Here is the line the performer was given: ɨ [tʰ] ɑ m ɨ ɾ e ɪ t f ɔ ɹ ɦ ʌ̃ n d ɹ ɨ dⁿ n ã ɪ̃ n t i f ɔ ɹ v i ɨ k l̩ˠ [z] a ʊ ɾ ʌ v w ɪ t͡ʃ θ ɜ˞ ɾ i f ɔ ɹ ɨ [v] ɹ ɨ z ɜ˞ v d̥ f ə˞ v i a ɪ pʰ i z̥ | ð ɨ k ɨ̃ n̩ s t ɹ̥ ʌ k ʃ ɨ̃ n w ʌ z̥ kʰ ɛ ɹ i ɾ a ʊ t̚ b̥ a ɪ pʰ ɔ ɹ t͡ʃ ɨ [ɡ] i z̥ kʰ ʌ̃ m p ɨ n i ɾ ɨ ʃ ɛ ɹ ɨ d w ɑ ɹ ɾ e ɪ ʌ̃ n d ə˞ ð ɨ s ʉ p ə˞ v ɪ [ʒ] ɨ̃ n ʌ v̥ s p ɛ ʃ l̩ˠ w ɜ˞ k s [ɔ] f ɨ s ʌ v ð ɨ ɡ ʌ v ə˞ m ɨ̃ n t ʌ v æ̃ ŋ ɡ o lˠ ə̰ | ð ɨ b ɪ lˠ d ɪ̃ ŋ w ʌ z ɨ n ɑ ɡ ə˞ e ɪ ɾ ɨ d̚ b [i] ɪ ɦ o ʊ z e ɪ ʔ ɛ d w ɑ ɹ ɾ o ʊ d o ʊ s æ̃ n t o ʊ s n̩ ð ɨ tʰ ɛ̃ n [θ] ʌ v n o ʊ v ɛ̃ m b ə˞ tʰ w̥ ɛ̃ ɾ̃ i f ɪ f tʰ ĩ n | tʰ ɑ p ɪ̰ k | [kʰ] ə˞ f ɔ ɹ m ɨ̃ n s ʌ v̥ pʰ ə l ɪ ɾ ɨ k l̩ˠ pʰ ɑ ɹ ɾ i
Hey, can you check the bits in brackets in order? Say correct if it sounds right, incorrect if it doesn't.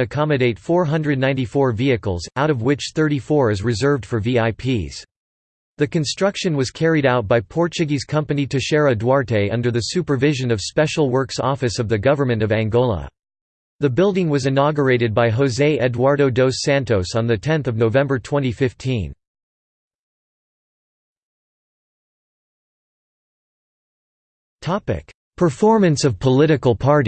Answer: incorrect: kʰ, correct, incorrect: z, correct, correct, correct, incorrect: a, correct, incorrect: pʰ

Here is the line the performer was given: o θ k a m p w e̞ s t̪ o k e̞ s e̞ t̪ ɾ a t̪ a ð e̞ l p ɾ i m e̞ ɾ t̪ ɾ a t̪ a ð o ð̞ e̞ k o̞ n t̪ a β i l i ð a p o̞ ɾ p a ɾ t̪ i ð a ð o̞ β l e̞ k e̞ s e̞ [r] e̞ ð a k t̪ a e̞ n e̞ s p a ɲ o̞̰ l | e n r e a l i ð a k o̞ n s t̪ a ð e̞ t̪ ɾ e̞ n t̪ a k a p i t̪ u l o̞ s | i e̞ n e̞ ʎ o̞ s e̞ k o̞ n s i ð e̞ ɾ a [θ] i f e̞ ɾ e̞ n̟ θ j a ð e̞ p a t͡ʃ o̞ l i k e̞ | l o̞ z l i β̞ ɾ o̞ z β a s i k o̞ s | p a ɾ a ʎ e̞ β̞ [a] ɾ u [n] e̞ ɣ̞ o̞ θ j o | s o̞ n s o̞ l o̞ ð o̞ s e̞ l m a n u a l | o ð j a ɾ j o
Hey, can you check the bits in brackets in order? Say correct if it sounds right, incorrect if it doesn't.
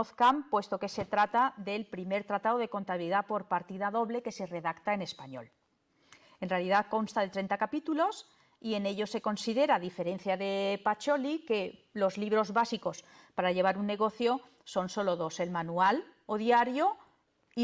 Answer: correct, incorrect: ð, correct, incorrect: nː

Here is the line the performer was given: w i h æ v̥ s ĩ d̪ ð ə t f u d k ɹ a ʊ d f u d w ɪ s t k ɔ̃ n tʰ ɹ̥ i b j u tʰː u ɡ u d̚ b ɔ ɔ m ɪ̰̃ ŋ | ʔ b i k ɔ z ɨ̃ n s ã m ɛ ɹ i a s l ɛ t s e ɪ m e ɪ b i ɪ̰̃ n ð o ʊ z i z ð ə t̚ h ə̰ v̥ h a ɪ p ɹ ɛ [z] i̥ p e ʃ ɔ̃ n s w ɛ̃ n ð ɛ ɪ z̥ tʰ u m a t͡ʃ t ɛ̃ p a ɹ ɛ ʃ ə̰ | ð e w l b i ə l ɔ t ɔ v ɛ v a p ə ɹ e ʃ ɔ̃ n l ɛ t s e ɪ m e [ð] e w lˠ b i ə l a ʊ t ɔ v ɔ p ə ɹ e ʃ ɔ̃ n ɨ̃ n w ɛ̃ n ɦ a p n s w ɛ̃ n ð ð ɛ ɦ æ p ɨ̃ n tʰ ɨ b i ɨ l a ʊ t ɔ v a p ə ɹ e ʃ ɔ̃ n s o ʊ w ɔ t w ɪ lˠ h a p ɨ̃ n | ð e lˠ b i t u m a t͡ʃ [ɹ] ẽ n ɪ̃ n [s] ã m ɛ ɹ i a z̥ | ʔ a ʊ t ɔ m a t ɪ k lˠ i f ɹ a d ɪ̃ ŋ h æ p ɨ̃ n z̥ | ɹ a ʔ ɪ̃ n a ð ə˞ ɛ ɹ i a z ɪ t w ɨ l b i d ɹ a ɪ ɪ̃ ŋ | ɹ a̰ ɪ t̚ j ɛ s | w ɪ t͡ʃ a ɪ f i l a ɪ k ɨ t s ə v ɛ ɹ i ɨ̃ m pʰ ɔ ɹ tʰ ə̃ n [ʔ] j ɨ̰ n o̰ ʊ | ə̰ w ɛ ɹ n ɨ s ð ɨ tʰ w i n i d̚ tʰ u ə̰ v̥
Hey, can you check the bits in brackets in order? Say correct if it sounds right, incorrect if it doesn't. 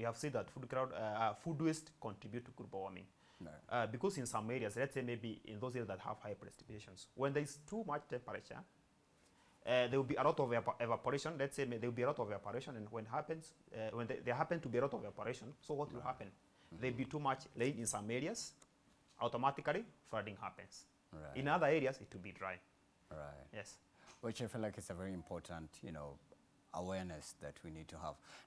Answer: incorrect: s, correct, incorrect: l, correct, incorrect: t

